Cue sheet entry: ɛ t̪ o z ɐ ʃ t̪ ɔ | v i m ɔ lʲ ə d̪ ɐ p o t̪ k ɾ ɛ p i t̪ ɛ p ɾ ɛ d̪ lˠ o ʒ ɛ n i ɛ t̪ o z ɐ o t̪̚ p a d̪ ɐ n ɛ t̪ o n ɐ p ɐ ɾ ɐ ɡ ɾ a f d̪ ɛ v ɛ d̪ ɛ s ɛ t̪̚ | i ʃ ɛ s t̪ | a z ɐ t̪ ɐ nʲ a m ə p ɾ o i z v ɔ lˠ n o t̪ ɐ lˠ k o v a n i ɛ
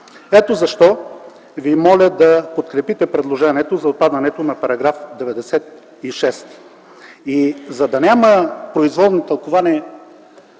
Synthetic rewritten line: ɛ t̪ o z ɐ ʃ t̪ ɔ | v i m ɔ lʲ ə d̪ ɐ p o t̪ k ɾ ɛ p i t̪ ɛ p ɾ ɛ d̪ lˠ o ʒ ɛ n i ɛ t̪ o z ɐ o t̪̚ p a d̪ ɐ n ɛ t̪ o n ɐ p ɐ ɾ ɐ ɡ ɾ a f d̪ ɛ v ɛ d̪ ɛ s ɛ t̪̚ | i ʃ ɛ s t̪ | i z ɐ d̪ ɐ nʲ a m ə p ɾ o i z v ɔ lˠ n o t̪ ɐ lˠ k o v a n i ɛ